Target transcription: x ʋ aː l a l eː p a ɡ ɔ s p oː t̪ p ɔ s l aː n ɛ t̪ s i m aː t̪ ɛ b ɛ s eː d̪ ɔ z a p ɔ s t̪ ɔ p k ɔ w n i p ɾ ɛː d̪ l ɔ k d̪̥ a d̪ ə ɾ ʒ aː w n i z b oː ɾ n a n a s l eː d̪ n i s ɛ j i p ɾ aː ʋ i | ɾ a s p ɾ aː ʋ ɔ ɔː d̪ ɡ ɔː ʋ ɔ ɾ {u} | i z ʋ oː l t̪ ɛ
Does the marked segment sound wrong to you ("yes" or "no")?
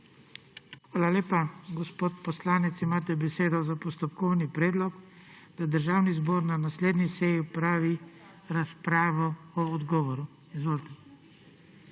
no